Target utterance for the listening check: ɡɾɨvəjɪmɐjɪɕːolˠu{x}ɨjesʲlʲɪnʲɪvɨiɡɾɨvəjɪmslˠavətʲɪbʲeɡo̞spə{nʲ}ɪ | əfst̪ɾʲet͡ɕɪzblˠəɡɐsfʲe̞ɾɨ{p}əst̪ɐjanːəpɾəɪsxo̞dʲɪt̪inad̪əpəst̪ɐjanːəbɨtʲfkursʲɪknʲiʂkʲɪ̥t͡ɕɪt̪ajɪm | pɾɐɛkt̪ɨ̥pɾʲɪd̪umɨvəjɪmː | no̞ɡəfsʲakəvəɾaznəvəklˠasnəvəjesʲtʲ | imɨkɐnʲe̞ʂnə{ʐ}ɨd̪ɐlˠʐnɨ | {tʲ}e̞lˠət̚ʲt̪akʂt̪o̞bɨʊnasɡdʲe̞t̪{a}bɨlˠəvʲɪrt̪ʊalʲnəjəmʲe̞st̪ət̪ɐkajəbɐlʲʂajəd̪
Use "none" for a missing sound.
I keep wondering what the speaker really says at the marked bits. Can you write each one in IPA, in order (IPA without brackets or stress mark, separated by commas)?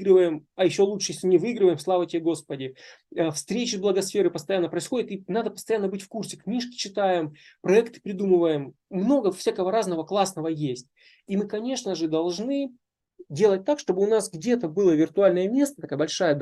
ʂ, dʲ, p, ʐ, dʲ, ə